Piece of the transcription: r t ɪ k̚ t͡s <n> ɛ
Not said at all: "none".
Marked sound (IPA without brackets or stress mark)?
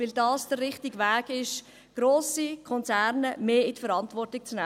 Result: n